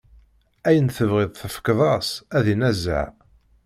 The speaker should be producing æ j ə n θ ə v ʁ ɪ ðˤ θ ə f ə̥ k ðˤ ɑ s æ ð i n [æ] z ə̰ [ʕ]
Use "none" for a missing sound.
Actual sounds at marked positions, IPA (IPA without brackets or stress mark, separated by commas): æ, ʕ